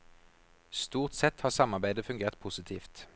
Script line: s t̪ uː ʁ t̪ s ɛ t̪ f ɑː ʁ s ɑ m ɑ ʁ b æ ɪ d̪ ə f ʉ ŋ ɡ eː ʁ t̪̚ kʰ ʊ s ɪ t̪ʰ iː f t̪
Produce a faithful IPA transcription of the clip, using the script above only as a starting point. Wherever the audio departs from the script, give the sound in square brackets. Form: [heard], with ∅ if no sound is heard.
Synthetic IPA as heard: s t̪ uː ʁ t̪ s ɛ t̪ [h] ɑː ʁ s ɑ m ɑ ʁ b æ ɪ d̪ ə f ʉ ŋ ɡ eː ʁ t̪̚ [pʰ] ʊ s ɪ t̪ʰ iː f t̪